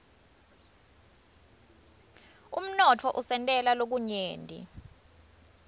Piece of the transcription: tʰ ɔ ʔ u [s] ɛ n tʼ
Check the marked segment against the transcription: correct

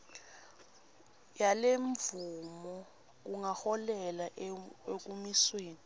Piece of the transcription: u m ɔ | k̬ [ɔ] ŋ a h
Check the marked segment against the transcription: incorrect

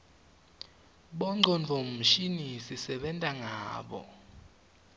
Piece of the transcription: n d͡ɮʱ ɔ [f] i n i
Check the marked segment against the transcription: incorrect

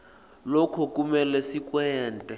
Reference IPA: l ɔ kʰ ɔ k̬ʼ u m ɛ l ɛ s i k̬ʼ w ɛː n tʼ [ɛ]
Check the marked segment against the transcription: correct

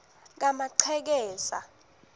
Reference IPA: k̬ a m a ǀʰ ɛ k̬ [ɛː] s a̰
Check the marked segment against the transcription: correct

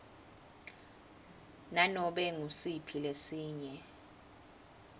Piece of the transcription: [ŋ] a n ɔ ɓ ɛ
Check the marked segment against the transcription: incorrect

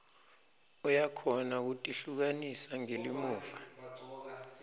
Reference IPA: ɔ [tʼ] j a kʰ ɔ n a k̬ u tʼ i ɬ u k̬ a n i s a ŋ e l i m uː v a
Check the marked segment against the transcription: incorrect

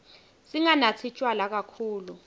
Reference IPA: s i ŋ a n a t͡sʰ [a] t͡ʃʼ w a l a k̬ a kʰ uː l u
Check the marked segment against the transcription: incorrect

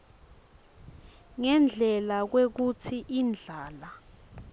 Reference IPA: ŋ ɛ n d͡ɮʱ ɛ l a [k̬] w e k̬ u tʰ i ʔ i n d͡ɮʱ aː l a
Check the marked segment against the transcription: correct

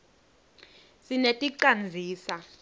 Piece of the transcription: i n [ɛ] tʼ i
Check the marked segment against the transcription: incorrect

